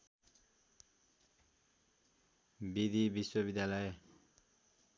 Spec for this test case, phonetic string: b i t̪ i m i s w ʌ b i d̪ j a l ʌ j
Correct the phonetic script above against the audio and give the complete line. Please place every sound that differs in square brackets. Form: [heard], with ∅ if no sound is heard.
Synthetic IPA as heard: b i [d̪] i [b] i s w ʌ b i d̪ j a l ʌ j